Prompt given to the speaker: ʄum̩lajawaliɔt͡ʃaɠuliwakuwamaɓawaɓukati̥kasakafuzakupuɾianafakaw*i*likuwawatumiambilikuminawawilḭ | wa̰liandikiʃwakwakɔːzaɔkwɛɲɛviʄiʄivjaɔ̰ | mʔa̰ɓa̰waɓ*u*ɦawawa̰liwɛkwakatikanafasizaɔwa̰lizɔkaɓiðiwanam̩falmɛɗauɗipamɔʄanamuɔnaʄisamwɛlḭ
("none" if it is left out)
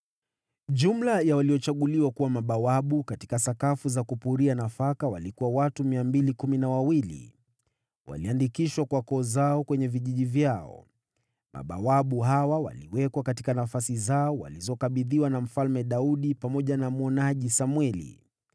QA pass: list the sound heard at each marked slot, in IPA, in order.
a, u

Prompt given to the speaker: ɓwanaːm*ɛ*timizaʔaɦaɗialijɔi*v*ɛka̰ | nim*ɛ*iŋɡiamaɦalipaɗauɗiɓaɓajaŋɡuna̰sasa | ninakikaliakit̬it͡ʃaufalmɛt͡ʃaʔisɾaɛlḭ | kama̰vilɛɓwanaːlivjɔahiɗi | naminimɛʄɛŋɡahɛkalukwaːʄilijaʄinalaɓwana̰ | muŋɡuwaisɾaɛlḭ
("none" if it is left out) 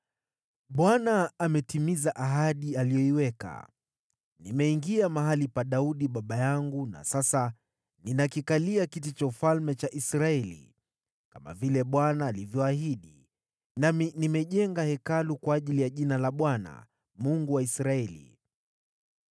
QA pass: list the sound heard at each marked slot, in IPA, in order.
ɛ, w, ɛ

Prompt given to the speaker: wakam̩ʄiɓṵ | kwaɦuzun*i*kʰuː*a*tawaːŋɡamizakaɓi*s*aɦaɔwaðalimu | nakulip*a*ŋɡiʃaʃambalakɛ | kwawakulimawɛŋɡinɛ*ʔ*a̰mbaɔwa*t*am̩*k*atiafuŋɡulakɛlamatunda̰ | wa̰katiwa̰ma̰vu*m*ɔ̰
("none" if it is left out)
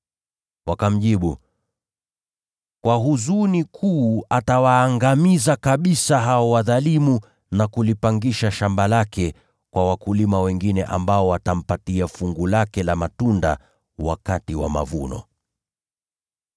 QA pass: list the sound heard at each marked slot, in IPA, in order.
i, a, s, a, ʔ, t, p, n

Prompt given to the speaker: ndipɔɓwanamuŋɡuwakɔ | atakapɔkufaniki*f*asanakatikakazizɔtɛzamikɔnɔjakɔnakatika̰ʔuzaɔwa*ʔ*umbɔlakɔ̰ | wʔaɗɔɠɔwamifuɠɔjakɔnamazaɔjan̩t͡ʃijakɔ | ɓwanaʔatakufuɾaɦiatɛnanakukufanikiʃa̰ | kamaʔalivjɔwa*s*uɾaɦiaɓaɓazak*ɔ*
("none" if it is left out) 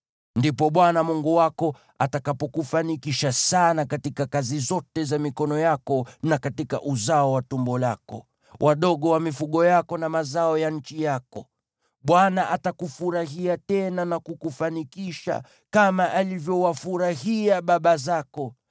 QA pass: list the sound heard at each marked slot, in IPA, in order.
ʃ, t, f, ɔ

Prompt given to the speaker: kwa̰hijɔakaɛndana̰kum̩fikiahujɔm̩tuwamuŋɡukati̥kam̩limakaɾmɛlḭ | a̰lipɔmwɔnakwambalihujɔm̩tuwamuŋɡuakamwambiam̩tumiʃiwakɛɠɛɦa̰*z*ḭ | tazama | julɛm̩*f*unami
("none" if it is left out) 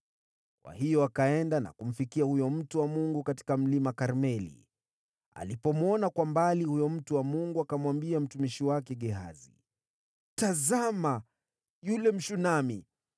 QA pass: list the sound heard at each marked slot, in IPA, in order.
z, ʃ

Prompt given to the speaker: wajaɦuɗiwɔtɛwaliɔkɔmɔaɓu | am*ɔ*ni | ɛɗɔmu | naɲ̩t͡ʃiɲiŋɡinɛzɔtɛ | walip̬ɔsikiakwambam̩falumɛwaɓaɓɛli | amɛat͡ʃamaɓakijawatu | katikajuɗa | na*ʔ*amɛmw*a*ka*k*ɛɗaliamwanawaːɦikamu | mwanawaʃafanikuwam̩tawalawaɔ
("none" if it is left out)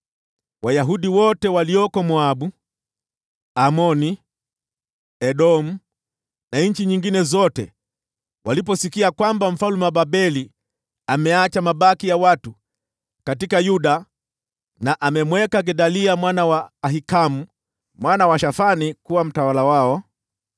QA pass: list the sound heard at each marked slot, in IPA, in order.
ɔ, ʔ, ɛ, ɡ

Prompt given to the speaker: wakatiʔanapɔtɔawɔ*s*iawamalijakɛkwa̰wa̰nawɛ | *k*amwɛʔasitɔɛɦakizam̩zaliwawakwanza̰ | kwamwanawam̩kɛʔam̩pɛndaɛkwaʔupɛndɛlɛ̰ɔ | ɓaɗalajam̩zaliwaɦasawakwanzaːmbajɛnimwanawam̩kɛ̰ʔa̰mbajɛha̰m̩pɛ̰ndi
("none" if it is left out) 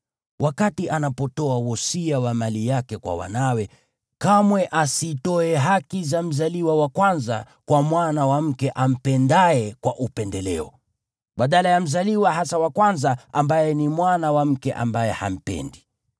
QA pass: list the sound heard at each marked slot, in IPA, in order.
s, k

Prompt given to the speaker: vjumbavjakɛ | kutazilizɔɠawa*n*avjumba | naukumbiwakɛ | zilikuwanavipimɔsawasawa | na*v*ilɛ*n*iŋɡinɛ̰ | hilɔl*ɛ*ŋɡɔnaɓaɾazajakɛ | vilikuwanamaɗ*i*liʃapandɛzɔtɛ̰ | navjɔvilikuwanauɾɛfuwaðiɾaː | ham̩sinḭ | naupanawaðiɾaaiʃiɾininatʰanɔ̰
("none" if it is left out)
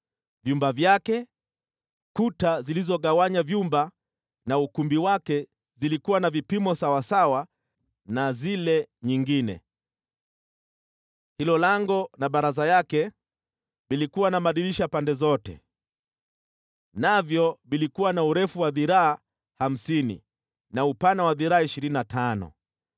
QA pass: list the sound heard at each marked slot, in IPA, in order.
ɲ, z, ɲ, a, i

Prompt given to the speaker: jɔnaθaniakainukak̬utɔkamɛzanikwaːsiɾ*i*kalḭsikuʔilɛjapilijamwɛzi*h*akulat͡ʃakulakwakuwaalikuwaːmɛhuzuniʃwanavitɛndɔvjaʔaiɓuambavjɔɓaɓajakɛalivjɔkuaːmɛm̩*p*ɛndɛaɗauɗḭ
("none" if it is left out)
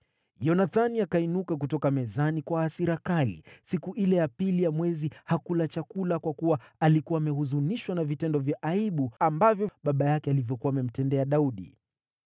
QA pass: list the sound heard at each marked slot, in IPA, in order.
a, h, t

